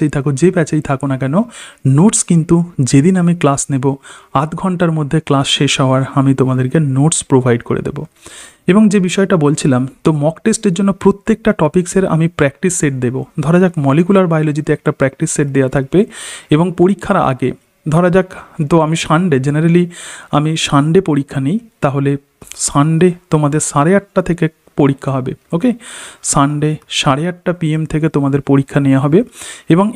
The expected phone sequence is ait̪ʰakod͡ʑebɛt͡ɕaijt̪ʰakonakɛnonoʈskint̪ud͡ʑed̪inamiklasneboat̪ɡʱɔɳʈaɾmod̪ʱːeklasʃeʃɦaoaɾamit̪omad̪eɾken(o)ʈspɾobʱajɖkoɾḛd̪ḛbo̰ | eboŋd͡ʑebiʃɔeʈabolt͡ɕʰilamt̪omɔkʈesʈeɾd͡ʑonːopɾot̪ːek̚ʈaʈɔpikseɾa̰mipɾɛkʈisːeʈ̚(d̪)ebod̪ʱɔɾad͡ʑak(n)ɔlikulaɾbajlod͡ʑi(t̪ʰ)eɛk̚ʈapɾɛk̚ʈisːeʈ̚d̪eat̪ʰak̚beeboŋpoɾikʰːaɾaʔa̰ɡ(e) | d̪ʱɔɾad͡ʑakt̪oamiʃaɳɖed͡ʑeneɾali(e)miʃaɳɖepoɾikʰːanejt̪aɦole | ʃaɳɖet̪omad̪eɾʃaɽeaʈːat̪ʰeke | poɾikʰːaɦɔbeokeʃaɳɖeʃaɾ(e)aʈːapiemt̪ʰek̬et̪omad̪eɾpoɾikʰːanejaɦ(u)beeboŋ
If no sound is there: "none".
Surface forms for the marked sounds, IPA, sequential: o, d̪, m, t̪, e, a, e, ɔ

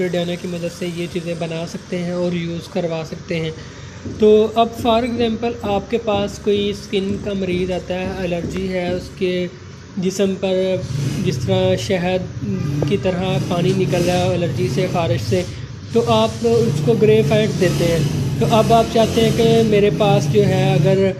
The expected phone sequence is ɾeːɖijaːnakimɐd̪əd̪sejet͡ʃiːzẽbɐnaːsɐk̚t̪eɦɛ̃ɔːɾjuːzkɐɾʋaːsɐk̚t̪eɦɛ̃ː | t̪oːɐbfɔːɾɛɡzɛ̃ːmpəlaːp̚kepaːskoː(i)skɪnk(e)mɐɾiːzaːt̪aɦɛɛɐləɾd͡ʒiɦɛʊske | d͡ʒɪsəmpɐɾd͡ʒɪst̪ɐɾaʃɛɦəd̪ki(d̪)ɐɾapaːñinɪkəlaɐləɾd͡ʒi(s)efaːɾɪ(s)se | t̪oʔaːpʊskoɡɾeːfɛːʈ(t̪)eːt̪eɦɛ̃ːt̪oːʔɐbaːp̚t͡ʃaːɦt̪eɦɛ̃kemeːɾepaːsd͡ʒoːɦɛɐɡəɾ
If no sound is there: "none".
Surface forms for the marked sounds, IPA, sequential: i, a, t̪, s, ʃ, d̪

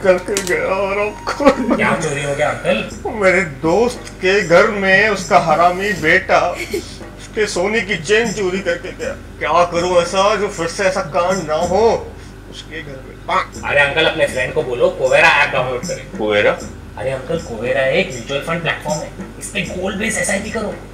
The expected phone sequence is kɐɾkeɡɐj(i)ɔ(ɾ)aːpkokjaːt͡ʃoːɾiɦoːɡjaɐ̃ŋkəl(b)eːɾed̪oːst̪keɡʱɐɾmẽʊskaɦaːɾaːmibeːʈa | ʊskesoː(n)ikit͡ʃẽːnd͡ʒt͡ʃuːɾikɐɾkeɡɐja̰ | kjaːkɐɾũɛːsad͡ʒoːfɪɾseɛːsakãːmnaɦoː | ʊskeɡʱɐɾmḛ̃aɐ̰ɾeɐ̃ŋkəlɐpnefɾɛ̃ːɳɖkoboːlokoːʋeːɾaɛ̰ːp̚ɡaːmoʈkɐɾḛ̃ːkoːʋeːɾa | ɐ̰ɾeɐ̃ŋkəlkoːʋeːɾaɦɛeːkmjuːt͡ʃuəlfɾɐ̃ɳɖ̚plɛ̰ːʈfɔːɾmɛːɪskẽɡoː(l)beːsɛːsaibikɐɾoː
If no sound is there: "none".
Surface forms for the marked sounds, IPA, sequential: a, ɾ, m, n, l

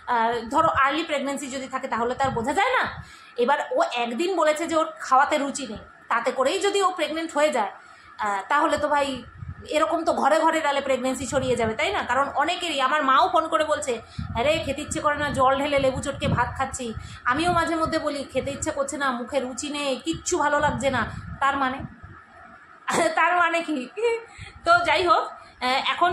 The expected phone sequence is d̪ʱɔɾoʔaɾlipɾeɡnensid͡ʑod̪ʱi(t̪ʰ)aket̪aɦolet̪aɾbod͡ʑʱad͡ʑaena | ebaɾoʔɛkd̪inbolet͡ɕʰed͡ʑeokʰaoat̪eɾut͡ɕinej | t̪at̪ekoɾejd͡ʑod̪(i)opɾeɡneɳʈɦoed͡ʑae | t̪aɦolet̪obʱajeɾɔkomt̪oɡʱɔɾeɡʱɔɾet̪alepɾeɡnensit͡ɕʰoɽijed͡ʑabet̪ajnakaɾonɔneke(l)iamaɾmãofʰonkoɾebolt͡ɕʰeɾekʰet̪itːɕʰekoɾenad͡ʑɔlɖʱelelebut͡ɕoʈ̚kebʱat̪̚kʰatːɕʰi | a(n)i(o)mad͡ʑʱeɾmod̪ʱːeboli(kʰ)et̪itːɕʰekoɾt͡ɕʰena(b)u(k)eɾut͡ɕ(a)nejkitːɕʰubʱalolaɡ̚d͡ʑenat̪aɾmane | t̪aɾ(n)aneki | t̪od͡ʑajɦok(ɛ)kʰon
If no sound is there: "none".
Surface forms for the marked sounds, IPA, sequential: t̪ʰ, i, ɾ, m, o, kʰ, m, kʰ, i, m, ɛ

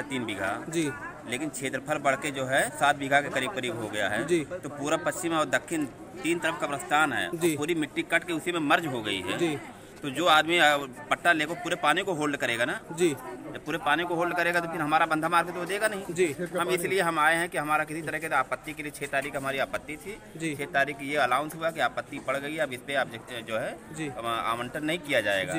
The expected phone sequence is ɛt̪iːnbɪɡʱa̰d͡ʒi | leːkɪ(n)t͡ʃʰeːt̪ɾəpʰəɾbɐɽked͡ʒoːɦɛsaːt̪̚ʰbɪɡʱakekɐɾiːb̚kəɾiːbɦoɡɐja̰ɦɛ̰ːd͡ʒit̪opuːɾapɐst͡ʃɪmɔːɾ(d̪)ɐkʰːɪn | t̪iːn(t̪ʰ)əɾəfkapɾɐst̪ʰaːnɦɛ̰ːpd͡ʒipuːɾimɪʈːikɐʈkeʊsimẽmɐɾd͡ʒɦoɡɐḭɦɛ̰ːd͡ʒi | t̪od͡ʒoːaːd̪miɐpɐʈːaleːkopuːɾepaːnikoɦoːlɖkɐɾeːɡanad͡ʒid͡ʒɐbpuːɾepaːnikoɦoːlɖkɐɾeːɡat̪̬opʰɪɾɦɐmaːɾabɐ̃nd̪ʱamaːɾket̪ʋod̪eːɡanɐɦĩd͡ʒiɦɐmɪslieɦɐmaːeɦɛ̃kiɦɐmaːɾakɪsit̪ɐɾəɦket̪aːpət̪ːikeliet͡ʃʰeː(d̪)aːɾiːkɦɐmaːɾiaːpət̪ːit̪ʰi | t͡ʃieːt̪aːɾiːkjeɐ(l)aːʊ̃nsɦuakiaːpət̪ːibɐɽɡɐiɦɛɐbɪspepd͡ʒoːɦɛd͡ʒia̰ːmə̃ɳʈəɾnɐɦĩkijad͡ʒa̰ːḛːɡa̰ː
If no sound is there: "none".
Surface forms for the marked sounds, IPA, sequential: n, d̪, t̪, t̪, l

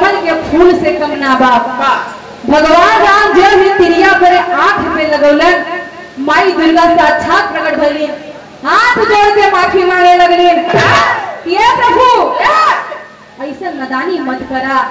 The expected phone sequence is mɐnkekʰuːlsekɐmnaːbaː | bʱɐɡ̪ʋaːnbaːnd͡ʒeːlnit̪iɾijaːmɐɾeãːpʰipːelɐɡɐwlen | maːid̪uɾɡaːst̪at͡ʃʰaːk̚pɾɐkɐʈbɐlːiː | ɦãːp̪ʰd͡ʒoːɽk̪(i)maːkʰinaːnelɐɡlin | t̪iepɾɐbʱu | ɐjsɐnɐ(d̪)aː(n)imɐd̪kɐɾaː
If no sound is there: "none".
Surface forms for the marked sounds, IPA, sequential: e, d̪, n

